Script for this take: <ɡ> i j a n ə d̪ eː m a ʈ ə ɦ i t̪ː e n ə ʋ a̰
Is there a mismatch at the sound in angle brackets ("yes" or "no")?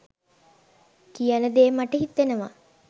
yes